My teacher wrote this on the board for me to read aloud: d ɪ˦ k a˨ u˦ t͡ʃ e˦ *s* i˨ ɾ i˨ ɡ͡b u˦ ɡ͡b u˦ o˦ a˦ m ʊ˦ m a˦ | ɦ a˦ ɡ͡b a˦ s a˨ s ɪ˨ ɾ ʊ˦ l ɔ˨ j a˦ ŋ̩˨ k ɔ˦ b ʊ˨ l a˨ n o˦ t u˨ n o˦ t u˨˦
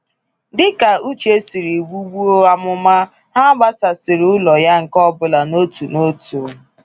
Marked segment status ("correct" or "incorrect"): correct